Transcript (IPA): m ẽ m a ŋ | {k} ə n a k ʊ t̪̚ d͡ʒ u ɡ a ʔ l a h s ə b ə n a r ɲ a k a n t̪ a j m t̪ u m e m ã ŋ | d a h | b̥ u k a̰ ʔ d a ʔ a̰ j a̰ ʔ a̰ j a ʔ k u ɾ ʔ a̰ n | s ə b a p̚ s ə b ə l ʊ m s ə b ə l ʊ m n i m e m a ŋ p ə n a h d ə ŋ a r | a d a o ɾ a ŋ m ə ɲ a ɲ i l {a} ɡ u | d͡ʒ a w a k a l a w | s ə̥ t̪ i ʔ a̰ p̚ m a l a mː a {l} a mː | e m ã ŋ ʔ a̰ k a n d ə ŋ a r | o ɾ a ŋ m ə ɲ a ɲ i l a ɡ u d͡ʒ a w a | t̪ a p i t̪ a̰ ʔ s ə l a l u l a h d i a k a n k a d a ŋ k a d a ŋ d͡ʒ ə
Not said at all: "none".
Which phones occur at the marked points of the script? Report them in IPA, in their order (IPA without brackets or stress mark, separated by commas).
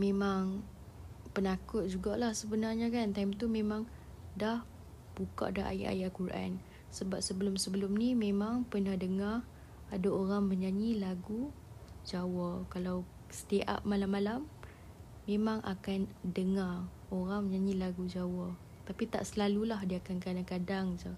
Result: p, a, l